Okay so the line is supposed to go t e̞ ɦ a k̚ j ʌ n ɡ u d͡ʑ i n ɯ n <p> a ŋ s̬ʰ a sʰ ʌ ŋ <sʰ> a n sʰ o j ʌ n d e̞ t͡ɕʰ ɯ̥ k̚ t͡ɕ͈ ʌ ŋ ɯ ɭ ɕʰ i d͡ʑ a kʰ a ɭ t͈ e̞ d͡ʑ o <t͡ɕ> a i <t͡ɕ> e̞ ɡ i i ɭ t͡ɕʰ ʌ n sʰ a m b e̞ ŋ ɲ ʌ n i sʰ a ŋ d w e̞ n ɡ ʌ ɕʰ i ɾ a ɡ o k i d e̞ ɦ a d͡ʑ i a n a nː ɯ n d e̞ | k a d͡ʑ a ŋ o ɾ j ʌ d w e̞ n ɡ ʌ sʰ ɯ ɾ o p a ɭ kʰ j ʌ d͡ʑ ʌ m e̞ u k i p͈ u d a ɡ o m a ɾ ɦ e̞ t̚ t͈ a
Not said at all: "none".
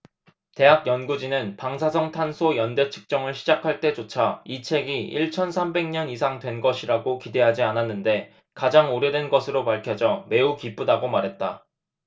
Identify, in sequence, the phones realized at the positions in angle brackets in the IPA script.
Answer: p, tʰ, t͡ɕʰ, t͡ɕʰ

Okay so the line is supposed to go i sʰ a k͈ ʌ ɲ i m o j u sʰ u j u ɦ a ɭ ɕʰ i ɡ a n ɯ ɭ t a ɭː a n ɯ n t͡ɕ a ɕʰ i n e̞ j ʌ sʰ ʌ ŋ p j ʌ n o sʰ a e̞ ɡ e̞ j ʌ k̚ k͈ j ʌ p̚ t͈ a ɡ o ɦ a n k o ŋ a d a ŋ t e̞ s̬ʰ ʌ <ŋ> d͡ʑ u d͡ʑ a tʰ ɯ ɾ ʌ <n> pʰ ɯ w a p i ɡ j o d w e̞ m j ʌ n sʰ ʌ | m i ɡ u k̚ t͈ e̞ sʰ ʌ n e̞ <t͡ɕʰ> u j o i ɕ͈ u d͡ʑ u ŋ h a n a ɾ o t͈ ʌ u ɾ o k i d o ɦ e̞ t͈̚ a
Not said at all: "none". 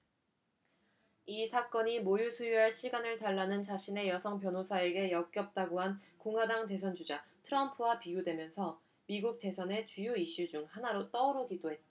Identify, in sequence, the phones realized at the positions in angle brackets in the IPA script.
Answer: n, m, t͡ɕ

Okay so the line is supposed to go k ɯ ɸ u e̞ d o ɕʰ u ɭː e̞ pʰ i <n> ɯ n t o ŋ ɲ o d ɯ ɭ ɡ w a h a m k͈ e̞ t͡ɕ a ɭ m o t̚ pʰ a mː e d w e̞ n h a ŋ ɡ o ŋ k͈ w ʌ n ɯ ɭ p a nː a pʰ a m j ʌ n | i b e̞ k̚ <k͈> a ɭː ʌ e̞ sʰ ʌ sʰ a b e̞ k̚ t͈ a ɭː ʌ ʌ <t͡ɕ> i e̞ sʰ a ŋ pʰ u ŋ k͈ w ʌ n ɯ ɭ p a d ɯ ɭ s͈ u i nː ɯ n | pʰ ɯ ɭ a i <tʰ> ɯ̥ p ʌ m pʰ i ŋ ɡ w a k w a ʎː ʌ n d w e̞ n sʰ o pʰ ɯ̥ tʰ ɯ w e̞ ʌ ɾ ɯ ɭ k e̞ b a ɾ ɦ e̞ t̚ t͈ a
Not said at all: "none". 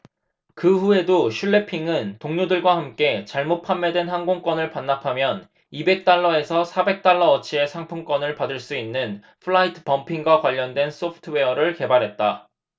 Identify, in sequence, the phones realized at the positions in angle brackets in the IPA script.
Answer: ŋ, t͈, t͡ɕʰ, tʰ

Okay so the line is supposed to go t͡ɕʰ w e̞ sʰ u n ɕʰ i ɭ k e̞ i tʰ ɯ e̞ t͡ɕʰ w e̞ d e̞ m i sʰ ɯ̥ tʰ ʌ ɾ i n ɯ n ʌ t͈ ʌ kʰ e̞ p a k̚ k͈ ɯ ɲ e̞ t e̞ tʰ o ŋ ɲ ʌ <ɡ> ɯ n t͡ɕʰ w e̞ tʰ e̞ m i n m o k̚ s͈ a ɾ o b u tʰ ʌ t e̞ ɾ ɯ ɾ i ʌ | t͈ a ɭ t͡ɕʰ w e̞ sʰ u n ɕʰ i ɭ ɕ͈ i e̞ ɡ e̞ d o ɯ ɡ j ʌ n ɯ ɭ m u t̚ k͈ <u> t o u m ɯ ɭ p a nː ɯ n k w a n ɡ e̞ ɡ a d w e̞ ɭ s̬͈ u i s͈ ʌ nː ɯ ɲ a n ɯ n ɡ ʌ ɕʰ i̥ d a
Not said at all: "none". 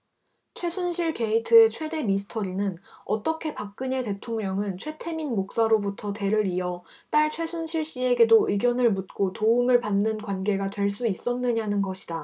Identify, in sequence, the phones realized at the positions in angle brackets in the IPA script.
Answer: ŋ, o

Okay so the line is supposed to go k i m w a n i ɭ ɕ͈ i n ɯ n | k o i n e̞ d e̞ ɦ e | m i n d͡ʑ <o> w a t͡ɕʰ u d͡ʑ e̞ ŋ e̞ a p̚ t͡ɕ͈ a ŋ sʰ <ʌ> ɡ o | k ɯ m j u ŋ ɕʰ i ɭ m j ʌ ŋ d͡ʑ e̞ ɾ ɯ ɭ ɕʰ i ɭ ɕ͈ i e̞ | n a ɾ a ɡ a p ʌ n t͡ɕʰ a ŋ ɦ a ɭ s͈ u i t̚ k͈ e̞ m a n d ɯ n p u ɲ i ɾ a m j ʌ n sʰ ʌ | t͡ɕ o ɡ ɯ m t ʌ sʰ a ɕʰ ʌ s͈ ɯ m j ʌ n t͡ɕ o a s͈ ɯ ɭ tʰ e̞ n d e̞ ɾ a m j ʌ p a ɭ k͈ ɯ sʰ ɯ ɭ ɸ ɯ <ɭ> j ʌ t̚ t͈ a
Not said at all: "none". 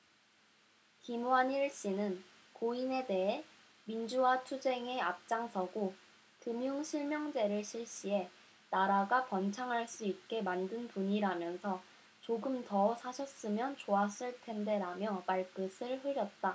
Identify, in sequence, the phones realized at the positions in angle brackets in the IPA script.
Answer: u, ʌ, ɾ

